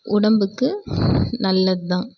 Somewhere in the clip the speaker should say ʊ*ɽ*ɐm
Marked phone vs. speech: correct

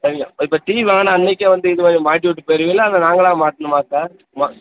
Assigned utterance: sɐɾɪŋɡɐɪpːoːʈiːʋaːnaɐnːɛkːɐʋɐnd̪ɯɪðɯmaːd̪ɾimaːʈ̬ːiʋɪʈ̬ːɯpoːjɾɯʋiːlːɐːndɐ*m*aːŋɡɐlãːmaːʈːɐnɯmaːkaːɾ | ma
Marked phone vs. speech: incorrect: n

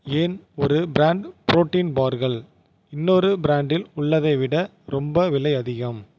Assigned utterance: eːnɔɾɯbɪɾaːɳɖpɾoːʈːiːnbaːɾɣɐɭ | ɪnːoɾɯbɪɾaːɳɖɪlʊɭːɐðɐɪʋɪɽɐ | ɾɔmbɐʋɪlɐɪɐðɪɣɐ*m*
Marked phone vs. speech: correct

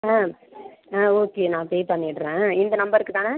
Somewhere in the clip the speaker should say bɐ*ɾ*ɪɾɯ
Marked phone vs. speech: correct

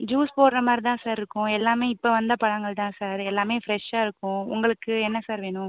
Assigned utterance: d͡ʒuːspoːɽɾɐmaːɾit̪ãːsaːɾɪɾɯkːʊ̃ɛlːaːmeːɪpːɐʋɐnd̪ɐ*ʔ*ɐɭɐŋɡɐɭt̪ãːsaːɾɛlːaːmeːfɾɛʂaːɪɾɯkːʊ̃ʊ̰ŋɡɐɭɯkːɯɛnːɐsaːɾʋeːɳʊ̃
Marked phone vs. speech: incorrect: p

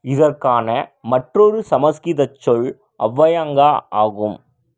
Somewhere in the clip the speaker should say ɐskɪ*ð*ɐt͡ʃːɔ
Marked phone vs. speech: correct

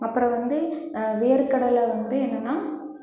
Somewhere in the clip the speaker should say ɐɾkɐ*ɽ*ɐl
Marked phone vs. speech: correct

